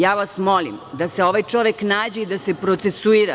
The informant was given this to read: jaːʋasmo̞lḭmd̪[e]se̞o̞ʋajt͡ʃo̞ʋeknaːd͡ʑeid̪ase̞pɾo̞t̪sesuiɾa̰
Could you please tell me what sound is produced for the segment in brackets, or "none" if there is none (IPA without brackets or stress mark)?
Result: a